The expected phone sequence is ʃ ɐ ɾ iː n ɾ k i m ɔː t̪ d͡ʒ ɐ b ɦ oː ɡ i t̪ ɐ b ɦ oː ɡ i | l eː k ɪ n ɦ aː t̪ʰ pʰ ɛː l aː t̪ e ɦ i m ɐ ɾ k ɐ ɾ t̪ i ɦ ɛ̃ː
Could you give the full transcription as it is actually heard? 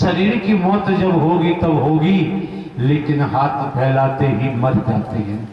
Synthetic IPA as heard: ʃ ɐ ɾ iː ɾ k i m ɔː t̪ d͡ʒ ɐ b ɦ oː ɡ i t̪ ɐ b ɦ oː ɡ i | l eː k ɪ n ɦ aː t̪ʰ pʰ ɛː l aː t̪ e ɦ i m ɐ ɾ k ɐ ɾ t̪ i ɦ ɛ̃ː